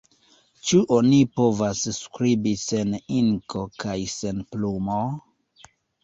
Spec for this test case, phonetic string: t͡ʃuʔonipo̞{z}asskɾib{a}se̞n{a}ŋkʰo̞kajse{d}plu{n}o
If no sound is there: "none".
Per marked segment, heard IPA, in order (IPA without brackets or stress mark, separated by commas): v, i, i, n, m